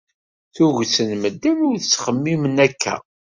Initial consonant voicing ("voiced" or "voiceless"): voiceless